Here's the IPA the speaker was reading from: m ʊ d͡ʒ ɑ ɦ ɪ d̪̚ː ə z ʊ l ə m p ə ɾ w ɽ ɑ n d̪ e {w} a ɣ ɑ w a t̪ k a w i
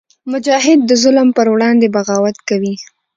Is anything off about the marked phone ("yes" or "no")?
yes